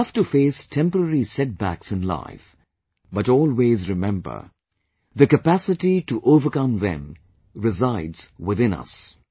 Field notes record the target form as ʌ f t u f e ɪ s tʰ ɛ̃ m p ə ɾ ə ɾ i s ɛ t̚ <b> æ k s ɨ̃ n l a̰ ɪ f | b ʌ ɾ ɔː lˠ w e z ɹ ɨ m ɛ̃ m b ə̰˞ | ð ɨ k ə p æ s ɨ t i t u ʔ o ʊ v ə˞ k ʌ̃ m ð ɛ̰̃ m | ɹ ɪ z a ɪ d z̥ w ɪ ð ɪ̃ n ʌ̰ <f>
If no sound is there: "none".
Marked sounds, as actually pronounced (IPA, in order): b, s

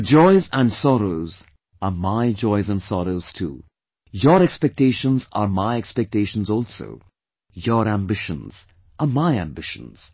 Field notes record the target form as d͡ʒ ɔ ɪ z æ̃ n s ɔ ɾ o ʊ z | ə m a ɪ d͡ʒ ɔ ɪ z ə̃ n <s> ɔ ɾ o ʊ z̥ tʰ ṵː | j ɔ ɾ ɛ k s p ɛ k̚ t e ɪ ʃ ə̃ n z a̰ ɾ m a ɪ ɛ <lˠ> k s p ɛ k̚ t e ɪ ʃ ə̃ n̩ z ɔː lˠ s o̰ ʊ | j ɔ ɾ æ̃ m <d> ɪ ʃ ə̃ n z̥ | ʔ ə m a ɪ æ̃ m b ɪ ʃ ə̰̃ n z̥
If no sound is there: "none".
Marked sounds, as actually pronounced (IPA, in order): s, none, b

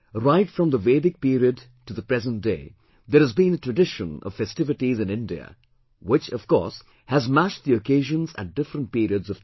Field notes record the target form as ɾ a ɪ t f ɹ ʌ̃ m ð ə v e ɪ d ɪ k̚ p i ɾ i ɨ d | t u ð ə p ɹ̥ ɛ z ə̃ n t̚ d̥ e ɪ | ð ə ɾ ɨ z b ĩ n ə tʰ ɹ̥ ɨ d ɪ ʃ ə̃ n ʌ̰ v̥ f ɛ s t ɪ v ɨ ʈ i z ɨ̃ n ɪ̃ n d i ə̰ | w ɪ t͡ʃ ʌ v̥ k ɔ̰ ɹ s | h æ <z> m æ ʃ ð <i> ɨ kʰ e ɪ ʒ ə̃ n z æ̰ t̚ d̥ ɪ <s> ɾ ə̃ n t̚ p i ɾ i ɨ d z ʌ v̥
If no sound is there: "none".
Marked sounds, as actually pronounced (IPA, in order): z, i, f

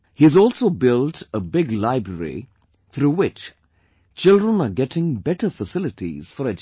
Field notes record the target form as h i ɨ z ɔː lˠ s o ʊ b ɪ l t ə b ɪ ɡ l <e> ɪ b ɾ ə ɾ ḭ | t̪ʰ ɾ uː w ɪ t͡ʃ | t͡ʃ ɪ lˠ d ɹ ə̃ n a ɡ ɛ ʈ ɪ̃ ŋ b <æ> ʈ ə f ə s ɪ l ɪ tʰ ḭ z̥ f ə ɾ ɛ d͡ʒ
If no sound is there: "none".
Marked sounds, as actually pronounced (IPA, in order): a, ɛ

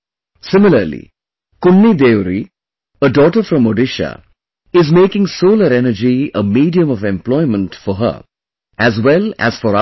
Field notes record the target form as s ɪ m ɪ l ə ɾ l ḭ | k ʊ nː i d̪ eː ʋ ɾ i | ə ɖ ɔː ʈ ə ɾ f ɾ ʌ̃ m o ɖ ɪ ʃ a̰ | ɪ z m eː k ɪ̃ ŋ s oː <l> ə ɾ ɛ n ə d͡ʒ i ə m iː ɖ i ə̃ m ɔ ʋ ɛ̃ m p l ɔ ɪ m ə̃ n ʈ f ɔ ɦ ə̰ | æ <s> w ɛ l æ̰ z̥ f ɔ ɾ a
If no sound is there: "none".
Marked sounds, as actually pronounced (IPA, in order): l, z

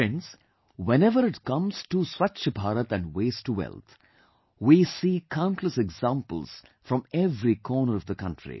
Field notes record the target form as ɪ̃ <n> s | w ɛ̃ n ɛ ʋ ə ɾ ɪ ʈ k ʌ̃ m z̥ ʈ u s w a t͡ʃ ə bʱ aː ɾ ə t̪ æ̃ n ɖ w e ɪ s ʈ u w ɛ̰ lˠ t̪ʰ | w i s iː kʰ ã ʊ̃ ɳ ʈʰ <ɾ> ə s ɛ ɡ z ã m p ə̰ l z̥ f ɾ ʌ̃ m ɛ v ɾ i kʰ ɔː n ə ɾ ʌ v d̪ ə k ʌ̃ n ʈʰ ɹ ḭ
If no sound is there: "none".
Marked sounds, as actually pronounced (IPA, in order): n, l

